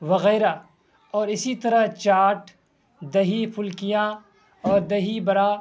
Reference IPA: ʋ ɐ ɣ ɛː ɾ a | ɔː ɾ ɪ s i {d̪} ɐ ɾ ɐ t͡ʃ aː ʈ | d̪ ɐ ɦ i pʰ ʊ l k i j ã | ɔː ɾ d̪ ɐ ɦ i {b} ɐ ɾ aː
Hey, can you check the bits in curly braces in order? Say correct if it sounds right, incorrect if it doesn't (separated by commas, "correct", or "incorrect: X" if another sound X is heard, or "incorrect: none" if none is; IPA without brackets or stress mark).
incorrect: t̪, correct